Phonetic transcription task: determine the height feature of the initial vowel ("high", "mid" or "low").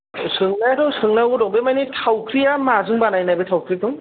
high